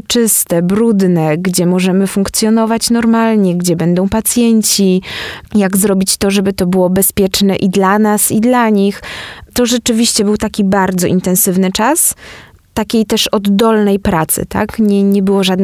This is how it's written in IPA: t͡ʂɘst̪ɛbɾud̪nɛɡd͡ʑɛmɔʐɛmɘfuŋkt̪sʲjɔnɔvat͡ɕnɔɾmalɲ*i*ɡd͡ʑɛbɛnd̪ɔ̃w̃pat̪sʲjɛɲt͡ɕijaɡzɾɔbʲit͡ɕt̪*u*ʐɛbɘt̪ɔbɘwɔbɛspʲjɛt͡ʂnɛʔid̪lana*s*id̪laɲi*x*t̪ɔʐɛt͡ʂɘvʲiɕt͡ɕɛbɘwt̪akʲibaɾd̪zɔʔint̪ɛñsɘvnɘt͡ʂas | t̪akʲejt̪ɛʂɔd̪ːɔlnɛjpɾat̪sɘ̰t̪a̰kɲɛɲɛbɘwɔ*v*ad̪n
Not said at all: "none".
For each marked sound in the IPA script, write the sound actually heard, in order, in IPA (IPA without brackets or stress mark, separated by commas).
ɛ, ɔ, s, x, ʐ